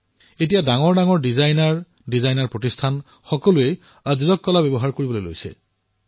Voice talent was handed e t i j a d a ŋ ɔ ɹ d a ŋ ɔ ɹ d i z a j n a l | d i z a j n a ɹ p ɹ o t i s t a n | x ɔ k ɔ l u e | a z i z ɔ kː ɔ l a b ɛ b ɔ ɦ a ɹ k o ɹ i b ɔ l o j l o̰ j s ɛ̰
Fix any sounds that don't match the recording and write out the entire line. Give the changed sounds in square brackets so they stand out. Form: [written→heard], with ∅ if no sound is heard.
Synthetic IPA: e t i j a d a ŋ ɔ ɹ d a ŋ ɔ ɹ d i z a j n a [l→ɹ] | d i z a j n a ɹ p ɹ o t i s [t→tʰ] a n | x ɔ k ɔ l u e | a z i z ɔ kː ɔ l a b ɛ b ɔ ɦ a ɹ k o ɹ i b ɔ l o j l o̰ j s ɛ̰